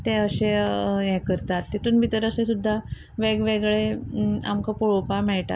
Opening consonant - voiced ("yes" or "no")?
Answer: no